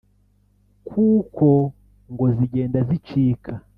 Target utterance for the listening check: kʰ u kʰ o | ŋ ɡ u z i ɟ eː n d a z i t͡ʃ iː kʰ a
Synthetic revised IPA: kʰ u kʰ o | ŋ ɡ o z i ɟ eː n d a z i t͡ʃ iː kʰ a